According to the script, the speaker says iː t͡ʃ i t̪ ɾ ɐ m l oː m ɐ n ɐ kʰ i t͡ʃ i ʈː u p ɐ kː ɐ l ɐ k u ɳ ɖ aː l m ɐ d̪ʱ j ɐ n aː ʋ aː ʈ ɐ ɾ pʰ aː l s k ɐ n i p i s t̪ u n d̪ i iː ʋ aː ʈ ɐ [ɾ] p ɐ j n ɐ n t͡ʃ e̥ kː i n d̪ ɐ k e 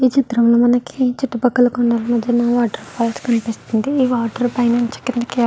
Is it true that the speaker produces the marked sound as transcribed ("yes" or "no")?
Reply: yes